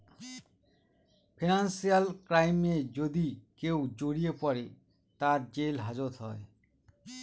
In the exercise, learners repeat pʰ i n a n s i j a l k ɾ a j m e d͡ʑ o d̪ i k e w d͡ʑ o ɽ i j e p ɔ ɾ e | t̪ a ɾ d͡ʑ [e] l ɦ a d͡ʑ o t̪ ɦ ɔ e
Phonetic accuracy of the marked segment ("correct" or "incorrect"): correct